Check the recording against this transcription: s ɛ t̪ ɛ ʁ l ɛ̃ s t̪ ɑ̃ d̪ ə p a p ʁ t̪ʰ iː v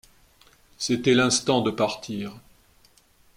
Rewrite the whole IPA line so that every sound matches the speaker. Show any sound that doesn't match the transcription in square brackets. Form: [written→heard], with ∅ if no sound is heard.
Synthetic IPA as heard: s [ɛ→e] t̪ ɛ [ʁ→∅] l ɛ̃ s t̪ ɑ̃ d̪ ə p a [p→∅] ʁ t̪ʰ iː [v→ʁ]